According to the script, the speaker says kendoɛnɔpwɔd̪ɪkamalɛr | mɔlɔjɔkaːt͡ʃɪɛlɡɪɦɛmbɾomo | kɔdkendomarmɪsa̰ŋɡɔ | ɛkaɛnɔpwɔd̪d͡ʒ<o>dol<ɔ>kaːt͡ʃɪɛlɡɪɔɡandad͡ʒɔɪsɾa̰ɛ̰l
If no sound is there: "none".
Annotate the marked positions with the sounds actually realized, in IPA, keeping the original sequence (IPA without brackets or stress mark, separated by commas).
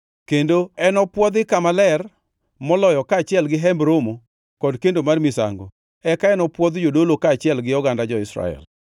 o, o